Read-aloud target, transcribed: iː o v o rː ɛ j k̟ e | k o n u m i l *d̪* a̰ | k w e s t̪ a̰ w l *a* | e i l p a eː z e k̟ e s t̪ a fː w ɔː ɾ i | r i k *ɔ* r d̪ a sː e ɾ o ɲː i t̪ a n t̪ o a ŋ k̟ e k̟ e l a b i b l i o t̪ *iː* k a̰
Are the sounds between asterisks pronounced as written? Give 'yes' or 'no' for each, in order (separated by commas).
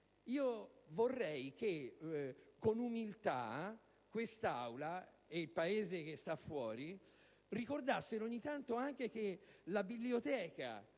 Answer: no, yes, no, no